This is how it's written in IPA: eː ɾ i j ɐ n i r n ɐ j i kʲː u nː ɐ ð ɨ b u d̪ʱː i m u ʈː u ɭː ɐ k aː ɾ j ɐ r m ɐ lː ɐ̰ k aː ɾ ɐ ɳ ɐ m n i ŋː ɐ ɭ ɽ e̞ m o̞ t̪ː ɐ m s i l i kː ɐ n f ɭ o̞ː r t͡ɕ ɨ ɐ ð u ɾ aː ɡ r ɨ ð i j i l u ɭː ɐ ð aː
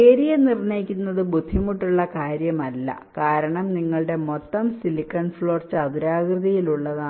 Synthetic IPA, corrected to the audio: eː ɾ i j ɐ n i r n ɐ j i kʲː u nː ɐ ð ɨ b u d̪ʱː i m u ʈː u ɭː ɐ k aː ɾ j ɐ m ɐ lː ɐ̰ k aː ɾ ɐ ɳ ɐ m n i ŋː ɐ ɭ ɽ e̞ m o̞ t̪ː ɐ m s i l i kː ɐ n f ɭ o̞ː r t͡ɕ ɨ ɐ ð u ɾ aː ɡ r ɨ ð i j i l u ɭː ɐ ð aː

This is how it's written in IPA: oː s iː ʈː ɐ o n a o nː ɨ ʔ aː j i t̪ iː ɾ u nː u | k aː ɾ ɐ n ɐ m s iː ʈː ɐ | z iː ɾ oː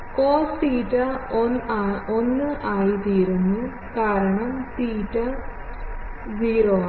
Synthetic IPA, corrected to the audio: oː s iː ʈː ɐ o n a o nː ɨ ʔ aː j i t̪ iː ɾ u nː u | k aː ɾ ɐ ɳ ɐ m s iː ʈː ɐ | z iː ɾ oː

